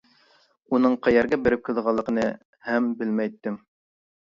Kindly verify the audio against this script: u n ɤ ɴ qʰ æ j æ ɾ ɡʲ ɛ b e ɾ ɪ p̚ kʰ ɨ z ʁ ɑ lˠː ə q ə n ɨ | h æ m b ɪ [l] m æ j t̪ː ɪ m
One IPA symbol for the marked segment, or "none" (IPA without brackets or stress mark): l